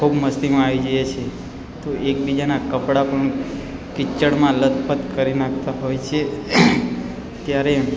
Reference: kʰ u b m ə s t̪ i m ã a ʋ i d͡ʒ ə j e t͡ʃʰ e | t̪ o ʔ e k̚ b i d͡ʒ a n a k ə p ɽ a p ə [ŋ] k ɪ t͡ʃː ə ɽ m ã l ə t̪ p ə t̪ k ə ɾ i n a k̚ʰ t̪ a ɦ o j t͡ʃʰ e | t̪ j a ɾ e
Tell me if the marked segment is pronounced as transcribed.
no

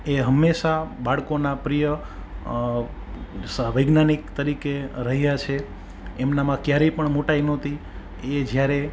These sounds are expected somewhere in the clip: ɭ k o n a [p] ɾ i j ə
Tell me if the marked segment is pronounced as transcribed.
yes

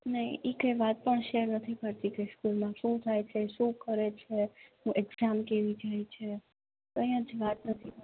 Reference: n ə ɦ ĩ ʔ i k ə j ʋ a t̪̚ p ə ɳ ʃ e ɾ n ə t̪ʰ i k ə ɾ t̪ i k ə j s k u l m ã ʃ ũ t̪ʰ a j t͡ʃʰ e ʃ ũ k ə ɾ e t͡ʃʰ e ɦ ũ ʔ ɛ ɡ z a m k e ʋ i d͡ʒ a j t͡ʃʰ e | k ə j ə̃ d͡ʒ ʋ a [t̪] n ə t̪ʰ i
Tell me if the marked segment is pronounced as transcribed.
yes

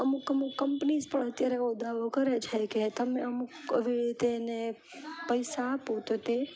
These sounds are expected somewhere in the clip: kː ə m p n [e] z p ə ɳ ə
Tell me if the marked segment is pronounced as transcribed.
no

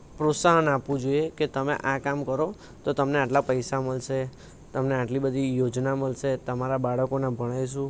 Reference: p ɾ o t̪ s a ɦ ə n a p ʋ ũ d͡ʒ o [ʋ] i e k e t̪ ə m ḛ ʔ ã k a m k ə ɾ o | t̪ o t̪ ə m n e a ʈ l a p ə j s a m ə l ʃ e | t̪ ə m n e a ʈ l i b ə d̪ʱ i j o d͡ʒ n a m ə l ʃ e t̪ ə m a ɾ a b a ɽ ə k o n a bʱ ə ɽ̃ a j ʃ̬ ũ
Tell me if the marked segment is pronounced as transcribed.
no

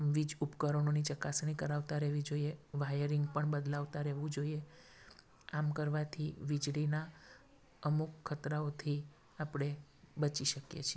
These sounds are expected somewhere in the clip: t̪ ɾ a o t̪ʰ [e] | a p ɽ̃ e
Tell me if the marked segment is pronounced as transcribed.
no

